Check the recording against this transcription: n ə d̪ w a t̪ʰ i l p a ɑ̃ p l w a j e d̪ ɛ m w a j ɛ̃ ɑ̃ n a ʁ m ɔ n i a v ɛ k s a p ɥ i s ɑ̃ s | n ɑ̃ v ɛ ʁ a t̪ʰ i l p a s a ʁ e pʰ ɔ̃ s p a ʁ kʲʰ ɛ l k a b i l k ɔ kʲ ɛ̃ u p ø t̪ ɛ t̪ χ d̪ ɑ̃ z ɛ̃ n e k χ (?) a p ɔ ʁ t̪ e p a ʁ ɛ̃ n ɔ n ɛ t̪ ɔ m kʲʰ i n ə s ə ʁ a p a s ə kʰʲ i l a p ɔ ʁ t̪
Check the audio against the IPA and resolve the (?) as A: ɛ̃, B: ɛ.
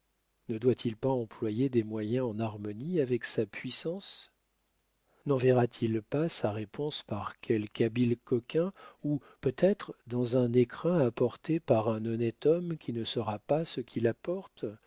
A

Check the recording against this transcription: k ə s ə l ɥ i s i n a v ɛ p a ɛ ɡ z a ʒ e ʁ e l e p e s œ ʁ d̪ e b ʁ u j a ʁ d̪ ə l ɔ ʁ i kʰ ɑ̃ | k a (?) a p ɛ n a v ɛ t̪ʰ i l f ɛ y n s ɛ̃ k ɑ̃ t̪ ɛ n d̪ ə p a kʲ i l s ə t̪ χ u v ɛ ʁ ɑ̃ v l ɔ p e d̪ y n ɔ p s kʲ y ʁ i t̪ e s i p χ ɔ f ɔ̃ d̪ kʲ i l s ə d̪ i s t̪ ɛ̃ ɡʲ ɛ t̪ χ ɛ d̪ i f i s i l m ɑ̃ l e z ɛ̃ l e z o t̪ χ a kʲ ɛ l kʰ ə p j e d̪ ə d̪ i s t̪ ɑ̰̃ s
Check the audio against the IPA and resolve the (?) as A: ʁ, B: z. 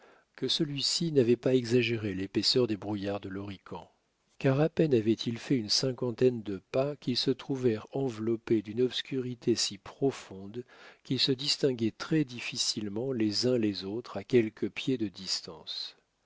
A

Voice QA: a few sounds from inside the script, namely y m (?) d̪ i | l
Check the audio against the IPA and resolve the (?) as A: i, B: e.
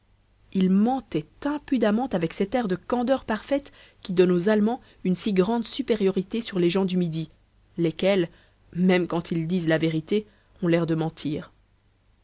A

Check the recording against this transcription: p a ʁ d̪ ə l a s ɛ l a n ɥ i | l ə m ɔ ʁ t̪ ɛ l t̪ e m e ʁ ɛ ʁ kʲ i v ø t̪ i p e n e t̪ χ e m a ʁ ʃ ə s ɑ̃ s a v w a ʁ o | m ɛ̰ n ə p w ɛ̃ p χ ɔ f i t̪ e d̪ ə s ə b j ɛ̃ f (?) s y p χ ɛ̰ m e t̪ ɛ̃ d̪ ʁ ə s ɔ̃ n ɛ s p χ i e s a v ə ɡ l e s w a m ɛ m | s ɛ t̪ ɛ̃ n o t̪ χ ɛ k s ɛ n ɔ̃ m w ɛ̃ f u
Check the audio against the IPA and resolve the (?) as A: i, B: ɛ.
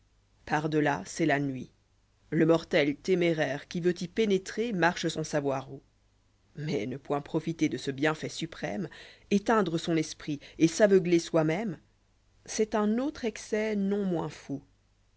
B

